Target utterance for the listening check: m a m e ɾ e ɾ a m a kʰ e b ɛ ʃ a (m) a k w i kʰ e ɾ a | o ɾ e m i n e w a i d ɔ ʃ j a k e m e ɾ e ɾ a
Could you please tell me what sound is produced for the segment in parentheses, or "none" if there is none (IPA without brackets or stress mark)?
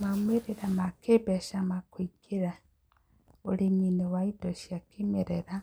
m